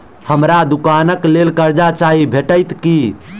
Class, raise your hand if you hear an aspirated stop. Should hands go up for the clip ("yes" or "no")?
no